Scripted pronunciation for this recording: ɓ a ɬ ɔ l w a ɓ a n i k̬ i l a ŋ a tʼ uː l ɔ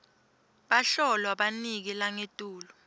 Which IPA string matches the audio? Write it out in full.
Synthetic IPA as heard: ɓ a ɬ ɔ l w a ɓ a n i k̬ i l a ŋ e tʼ uː l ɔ